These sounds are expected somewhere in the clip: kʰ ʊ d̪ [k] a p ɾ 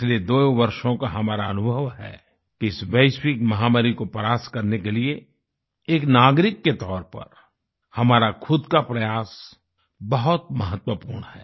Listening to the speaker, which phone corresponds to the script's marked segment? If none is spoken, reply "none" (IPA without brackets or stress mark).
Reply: k